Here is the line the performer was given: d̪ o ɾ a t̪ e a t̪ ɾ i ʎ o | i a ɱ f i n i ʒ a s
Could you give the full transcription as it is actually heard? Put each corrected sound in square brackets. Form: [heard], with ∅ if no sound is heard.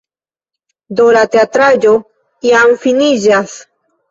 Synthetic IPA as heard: d̪ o ɾ a t̪ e a t̪ ɾ [a] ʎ o | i a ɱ f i n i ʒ a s